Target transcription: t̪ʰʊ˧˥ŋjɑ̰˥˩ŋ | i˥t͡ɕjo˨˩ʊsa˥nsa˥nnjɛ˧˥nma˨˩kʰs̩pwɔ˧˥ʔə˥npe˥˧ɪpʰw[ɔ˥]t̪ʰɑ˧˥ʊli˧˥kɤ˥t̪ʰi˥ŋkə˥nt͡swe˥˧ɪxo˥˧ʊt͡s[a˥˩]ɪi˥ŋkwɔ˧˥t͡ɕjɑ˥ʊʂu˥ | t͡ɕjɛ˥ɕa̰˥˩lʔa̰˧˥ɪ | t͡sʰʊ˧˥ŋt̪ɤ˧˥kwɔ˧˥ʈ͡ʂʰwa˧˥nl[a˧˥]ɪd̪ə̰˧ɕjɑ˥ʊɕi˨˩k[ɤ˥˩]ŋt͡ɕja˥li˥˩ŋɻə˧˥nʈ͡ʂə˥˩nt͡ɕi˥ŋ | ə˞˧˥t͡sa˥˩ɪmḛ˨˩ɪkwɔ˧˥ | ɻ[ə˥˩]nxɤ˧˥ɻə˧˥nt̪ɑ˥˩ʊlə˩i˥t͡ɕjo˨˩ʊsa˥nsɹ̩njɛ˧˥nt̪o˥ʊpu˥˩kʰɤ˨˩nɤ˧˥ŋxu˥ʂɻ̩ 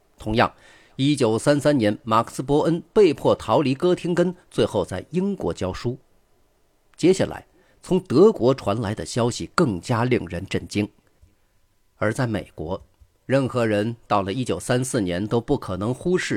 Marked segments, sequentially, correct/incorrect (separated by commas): incorrect, correct, correct, correct, correct